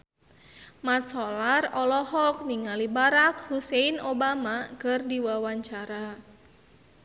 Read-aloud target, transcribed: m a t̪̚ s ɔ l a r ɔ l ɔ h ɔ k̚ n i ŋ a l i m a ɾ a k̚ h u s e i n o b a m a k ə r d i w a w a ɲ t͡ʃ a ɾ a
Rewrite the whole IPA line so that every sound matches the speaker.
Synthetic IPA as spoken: m a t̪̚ s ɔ l a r ɔ l ɔ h ɔ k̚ n i ŋ a l i b a ɾ a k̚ h u s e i n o b a m a k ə r d i w a w a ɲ t͡ʃ a ɾ a